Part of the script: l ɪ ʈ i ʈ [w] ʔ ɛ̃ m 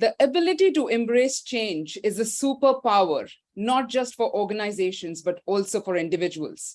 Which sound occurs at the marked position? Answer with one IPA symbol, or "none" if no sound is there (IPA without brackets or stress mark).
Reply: u